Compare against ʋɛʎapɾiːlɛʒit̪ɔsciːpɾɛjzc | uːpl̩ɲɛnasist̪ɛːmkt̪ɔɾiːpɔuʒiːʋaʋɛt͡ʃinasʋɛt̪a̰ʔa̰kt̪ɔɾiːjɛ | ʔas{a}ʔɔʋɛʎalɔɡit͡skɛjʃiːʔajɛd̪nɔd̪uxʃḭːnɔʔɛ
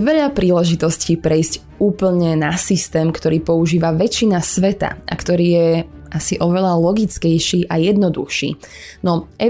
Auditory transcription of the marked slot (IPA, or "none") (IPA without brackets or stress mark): i